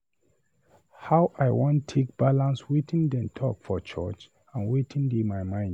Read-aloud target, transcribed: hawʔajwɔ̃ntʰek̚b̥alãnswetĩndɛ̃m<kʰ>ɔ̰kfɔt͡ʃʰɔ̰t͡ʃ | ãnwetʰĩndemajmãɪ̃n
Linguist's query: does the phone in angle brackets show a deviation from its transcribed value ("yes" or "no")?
yes